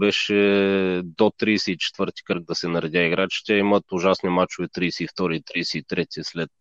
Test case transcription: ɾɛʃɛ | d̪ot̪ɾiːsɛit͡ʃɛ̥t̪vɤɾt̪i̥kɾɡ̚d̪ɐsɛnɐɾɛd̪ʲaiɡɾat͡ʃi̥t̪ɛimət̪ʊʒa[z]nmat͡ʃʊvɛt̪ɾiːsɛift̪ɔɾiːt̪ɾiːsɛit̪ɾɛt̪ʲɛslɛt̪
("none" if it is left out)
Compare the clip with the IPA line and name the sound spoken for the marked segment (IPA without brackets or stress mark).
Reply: s